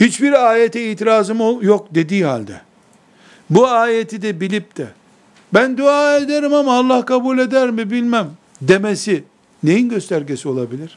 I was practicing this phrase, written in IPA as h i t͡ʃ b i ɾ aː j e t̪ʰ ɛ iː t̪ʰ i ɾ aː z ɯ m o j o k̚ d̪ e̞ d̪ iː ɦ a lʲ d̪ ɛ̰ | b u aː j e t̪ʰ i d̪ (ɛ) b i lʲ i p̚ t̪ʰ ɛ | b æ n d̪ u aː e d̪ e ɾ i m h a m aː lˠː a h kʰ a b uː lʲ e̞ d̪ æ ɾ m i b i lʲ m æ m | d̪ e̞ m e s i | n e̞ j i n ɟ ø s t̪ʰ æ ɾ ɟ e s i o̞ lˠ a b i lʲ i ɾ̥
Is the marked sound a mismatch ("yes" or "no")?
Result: no